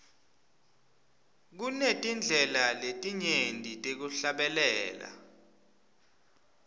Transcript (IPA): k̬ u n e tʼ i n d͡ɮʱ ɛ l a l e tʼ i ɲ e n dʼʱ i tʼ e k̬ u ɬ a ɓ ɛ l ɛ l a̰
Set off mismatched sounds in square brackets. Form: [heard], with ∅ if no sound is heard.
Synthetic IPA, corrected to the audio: k̬ u n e tʼ i n d͡ɮʱ ɛ l a l e tʼ i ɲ e n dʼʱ i tʼ e k̬ u ɬ a ɓ ɛ l [ɛː] l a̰